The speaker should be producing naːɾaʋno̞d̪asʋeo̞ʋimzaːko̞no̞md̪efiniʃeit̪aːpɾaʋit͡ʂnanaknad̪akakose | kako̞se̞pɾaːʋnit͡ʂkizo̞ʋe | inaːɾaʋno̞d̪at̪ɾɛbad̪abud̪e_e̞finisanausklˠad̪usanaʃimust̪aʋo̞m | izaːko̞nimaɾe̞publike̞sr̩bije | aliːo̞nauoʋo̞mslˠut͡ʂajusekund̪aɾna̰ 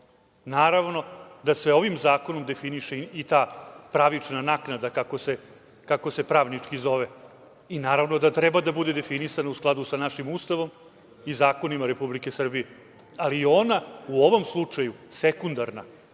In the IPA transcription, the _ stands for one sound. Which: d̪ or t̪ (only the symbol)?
d̪